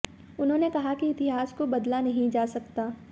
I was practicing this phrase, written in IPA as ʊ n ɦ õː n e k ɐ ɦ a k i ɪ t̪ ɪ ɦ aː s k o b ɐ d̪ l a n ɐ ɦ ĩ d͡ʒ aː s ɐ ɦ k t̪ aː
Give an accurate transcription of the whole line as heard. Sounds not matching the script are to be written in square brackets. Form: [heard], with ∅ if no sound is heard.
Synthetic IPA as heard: ʊ n ɦ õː n e k ɐ ɦ a k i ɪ t̪ ɪ ɦ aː s k o b ɐ d̪ l a n ɐ ɦ ĩ d͡ʒ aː s ɐ [∅] k t̪ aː